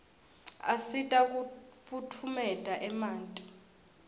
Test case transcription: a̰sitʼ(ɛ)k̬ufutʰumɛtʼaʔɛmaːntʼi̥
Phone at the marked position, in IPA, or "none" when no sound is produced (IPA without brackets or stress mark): a